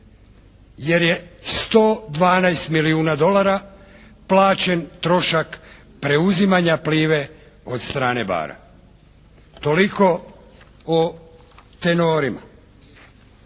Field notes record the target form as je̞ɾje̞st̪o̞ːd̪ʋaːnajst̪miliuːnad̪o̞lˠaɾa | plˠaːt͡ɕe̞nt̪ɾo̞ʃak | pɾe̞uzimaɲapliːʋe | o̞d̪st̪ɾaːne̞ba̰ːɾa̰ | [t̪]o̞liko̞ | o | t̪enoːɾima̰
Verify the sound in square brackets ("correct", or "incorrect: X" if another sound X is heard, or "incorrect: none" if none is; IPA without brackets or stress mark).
correct